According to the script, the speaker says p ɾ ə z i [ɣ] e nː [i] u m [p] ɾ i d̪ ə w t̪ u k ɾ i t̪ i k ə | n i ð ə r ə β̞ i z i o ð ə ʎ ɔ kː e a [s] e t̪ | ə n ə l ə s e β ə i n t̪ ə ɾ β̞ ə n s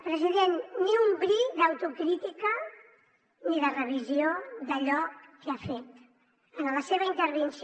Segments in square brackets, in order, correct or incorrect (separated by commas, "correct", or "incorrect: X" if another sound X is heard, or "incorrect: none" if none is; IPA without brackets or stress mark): incorrect: ð, correct, incorrect: b, incorrect: f